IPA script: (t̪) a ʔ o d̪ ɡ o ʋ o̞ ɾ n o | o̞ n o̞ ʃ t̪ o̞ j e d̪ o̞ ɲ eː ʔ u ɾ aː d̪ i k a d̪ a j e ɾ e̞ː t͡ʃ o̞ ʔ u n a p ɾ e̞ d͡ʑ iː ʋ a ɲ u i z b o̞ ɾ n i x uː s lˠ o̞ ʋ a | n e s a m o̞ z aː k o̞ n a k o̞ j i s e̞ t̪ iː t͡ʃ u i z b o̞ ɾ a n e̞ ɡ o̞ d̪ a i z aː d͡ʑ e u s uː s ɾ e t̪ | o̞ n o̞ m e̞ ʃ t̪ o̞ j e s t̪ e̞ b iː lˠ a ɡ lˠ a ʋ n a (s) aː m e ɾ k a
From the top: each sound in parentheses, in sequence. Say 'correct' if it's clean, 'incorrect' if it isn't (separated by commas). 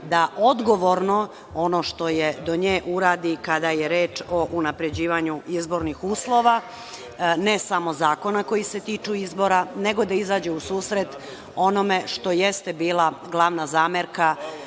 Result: incorrect, incorrect